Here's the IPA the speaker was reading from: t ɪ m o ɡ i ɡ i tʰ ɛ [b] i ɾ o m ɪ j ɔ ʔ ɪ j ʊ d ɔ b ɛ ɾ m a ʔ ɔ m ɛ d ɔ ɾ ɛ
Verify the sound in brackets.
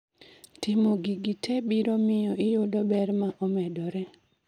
correct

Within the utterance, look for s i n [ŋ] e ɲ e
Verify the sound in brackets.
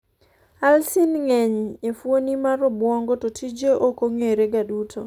correct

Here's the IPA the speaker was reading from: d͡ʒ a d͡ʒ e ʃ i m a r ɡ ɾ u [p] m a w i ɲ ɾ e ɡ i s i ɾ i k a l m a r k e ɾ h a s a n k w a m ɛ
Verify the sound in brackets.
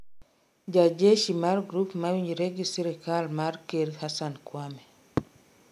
correct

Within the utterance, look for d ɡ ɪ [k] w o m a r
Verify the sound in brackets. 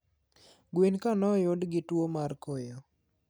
incorrect: t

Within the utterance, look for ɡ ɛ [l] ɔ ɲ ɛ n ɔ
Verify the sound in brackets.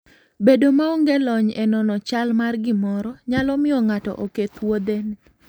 correct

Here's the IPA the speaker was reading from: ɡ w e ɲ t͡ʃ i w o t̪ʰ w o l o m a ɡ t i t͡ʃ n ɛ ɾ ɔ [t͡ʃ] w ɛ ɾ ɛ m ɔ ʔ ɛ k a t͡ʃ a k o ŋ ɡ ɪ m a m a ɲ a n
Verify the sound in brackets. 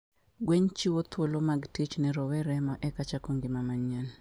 incorrect: none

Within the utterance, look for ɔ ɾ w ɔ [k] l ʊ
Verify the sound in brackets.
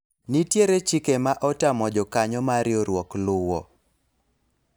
correct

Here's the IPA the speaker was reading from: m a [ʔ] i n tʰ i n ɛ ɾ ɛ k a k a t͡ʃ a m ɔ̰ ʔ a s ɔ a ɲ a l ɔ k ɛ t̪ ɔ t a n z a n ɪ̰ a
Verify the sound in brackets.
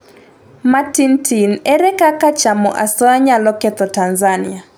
incorrect: t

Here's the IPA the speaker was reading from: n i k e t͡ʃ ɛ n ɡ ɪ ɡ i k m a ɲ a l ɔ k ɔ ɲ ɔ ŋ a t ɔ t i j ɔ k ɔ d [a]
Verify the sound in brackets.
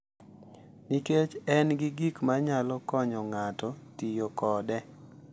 incorrect: ɛ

